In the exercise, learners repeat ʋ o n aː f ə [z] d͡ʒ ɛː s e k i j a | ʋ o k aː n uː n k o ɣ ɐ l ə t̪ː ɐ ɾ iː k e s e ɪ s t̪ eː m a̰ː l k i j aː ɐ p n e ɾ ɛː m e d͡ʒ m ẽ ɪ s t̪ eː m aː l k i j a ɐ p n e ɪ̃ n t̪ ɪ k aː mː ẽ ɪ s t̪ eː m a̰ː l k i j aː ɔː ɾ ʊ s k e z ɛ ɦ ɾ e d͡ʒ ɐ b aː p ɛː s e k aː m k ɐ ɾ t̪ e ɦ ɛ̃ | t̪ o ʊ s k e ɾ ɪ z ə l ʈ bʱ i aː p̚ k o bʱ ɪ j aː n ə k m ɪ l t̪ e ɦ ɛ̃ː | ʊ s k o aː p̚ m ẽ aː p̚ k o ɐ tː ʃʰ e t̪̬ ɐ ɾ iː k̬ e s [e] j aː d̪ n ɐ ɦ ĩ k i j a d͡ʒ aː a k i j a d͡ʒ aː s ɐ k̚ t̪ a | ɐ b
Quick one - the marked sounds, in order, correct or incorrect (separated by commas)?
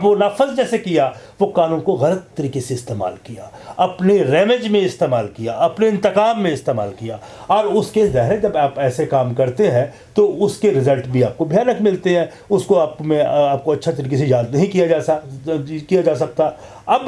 correct, correct